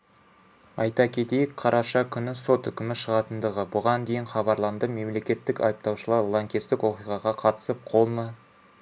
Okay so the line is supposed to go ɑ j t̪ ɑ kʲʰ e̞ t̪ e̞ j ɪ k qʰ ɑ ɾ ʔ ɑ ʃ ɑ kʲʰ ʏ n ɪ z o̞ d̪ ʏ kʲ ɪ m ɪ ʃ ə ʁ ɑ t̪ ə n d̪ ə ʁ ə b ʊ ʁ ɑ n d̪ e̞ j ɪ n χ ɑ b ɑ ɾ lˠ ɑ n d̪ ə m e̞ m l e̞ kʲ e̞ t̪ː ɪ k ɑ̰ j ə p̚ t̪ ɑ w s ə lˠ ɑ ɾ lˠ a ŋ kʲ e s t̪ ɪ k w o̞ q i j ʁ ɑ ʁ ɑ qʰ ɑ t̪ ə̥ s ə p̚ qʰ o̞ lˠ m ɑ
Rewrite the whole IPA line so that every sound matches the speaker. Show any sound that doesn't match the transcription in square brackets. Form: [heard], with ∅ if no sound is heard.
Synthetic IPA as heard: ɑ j t̪ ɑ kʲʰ e̞ t̪ e̞ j ɪ k qʰ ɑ ɾ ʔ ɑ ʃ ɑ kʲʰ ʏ n ɪ [s] o̞ [t̪] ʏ kʲ ɪ m ɪ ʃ ə ʁ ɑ t̪ ə n d̪ ə ʁ ə b ʊ ʁ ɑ n d̪ e̞ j ɪ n χ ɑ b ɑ ɾ lˠ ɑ n d̪ ə m e̞ m l e̞ kʲ e̞ t̪ː ɪ k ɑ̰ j ə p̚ t̪ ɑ w [ʃ] ə lˠ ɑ ɾ lˠ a ŋ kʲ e s t̪ ɪ k w o̞ q i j ʁ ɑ ʁ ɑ qʰ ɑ t̪ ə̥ s ə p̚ qʰ o̞ lˠ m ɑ